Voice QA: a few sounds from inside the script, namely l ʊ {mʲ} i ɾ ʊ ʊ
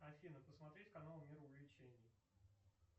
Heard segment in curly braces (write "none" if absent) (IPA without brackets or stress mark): mʲ